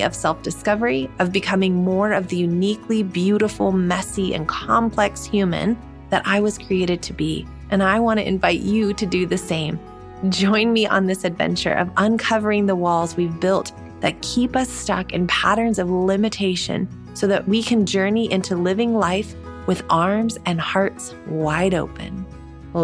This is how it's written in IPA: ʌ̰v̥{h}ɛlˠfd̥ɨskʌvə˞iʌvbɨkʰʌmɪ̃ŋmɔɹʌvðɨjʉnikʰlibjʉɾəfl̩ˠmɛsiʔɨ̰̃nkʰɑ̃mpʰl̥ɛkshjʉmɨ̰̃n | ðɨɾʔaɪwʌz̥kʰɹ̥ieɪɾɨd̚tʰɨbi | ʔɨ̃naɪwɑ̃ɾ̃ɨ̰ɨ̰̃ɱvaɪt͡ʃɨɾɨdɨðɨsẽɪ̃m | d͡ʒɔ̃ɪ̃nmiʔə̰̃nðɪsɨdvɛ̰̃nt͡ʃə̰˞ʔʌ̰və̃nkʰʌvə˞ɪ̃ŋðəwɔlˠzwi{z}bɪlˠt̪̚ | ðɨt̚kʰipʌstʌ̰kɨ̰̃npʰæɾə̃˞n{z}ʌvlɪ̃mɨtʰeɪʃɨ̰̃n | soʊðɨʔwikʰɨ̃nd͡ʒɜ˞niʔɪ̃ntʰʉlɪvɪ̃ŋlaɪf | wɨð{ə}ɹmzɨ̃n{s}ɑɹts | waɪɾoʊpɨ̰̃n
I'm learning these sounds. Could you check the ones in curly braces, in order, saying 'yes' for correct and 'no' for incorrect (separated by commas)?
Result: no, no, yes, no, no